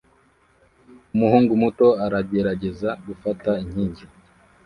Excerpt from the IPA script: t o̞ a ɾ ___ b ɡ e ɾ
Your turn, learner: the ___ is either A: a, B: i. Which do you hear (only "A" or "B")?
A